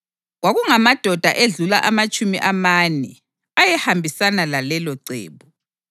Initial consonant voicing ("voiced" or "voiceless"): voiced